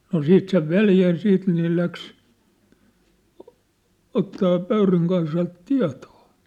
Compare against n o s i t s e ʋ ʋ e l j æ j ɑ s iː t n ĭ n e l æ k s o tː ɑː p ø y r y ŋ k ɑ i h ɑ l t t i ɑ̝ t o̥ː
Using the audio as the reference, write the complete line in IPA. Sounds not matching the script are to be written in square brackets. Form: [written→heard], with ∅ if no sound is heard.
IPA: n o s [i→iː] t s e ʋ ʋ e l j æ j ɑ s iː t n ĭ n e l æ k s o tː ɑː p ø y r y ŋ k ɑ i [h→s] ɑ l t t i ɑ̝ t o̥ː